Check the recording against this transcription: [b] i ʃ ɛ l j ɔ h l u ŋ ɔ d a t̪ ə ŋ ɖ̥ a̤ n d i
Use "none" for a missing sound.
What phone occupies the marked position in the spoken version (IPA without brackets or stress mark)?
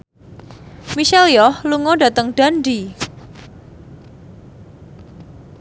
m